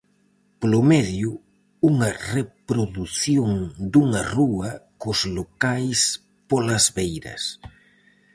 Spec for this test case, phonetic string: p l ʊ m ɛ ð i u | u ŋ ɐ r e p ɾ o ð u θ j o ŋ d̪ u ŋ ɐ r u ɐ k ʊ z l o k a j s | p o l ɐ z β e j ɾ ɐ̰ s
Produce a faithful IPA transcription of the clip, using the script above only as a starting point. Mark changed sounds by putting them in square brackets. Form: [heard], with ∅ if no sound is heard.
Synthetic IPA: p l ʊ m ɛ ð [j] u | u ŋ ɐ r e p ɾ o ð u θ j o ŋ d̪ u ŋ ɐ r u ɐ k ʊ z l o k a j s | p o l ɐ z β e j ɾ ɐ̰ s